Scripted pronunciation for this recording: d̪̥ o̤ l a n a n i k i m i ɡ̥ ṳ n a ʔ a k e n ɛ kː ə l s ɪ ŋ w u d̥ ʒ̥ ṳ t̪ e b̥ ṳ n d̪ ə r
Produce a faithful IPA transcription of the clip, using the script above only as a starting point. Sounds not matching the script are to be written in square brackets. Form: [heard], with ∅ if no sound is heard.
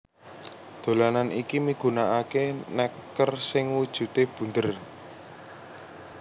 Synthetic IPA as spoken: d̪̥ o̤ l a n a n i k i m i ɡ̥ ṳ n a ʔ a k e n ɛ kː ə [r] s ɪ ŋ w u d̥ ʒ̥ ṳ t̪ e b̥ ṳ n d̪ ə r